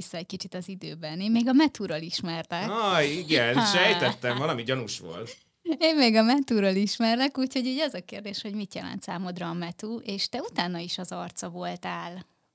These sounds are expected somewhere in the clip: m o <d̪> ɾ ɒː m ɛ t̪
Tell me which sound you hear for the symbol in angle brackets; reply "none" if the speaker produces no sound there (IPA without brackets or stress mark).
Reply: d̪